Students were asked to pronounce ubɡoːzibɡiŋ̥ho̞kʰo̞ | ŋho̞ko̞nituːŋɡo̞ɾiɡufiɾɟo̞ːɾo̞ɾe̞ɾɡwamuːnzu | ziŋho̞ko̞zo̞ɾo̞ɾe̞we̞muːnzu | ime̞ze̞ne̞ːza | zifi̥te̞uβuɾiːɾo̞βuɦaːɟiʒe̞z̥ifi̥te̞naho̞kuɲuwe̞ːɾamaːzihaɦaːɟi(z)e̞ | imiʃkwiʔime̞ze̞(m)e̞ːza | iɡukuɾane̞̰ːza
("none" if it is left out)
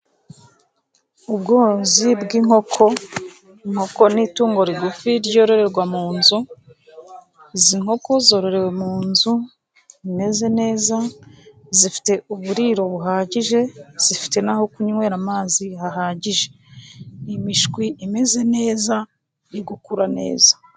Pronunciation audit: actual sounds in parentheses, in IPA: ʒ, n

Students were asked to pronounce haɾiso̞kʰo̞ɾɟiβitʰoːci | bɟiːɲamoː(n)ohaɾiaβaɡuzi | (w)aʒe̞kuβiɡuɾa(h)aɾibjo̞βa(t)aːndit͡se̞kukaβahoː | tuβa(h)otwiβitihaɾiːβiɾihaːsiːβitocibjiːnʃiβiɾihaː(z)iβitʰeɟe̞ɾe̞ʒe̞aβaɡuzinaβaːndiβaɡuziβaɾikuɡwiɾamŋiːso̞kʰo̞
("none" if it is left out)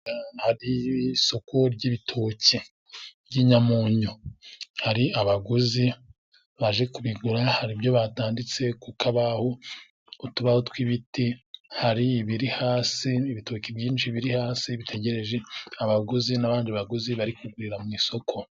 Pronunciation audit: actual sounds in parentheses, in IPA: ɲ, β, h, t, h, s

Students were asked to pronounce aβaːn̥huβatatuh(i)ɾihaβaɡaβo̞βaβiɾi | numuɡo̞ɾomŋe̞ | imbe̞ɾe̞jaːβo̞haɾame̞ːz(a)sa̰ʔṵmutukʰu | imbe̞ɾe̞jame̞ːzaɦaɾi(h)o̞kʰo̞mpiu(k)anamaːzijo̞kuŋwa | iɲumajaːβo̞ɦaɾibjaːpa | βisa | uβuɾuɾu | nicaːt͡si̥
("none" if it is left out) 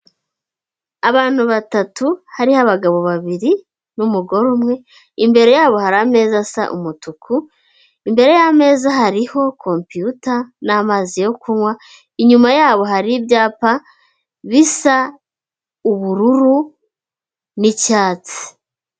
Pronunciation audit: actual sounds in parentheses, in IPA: a, a, h, t

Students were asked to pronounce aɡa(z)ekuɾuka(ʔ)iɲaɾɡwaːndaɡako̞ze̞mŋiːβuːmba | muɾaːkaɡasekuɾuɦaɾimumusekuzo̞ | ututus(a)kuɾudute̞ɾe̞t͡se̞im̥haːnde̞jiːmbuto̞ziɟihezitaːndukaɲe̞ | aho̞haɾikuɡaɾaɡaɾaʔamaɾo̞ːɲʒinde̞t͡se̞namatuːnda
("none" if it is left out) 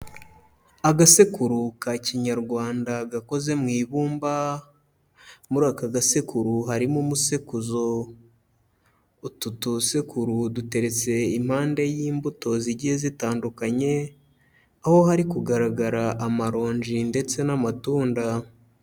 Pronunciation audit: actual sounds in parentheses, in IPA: s, c, e

